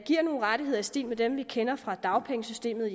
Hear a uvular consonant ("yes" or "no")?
yes